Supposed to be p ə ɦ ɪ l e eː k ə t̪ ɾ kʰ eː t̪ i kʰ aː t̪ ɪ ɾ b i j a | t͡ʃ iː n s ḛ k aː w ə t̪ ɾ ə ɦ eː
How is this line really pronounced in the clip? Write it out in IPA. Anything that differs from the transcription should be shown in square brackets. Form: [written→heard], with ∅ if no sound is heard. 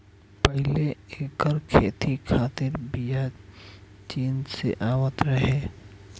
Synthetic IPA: p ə ɦ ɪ l e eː k ə [t̪→∅] ɾ kʰ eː t̪ i kʰ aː t̪ ɪ ɾ b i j a | t͡ʃ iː n s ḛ [k→ʔ] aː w ə t̪ ɾ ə ɦ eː

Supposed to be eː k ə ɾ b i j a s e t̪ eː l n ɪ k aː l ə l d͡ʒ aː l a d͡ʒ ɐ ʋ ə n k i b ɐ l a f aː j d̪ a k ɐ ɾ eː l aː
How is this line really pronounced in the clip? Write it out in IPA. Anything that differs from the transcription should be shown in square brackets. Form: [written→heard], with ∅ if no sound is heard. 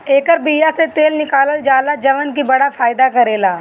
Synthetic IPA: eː k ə ɾ b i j a s e t̪ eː l n ɪ k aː l ə l d͡ʒ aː l a d͡ʒ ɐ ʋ ə n k i b ɐ [l→ɽ] a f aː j d̪ a k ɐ ɾ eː l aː

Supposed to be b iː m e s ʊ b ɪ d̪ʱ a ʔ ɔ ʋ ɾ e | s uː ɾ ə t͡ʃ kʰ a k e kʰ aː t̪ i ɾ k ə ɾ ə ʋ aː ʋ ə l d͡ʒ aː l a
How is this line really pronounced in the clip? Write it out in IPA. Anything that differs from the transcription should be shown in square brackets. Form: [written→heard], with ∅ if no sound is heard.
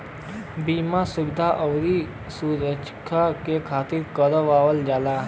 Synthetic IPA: b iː m [e→a] s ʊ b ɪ d̪ʱ a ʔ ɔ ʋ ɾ [e→i] | s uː ɾ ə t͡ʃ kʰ a k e kʰ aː t̪ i ɾ k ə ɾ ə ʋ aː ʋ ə l d͡ʒ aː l a

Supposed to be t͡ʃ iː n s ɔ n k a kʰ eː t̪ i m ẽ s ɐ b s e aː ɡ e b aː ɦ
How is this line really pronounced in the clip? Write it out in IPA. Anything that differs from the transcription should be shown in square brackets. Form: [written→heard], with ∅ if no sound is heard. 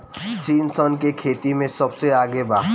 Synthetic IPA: t͡ʃ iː n s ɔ n k [a→e] kʰ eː t̪ i m ẽ s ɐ b s e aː ɡ e b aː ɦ

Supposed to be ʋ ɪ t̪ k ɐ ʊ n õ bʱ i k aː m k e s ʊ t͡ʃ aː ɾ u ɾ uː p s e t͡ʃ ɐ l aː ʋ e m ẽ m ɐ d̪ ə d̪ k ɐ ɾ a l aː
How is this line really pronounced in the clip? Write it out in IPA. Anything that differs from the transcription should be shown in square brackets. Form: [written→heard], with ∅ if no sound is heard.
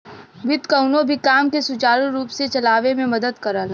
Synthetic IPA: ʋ ɪ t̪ k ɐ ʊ n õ bʱ i k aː m k e s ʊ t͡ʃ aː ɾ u ɾ uː p s e t͡ʃ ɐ l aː ʋ e m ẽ m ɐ d̪ ə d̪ k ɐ ɾ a l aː

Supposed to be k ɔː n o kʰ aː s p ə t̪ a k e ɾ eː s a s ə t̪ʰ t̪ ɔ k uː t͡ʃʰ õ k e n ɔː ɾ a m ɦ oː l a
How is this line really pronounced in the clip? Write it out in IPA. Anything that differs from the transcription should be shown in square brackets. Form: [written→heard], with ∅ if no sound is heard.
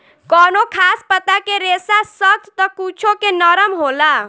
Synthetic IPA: k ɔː n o kʰ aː s p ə t̪ a k e ɾ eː s a s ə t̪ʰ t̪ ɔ k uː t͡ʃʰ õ k e n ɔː ɾ [a→ə] m ɦ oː l a

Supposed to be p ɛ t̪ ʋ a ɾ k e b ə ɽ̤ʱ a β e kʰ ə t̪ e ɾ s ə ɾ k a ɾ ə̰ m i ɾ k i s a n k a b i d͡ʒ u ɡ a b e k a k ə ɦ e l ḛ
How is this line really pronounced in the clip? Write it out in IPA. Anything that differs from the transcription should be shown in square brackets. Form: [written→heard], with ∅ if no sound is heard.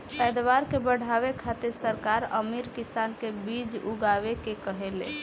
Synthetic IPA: p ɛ [t̪→d̪] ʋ a ɾ k e b ə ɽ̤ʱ a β e kʰ [ə→a] t̪ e ɾ s ə ɾ k a ɾ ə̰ m i ɾ k i s a n k [a→e] b i d͡ʒ u ɡ a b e k [a→e] k ə ɦ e l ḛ

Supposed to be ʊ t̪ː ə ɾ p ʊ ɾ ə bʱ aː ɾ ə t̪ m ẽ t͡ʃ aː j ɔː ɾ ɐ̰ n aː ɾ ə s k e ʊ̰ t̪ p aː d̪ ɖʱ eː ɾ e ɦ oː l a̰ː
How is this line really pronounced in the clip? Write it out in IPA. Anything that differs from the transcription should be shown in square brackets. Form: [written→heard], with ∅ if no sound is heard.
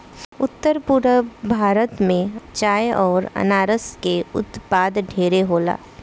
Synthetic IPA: ʊ t̪ː ə ɾ p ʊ ɾ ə bʱ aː ɾ ə t̪ m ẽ t͡ʃ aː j ɔː ɾ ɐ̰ n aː ɾ ə s k e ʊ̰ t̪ p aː d̪ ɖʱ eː ɾ e ɦ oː l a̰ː

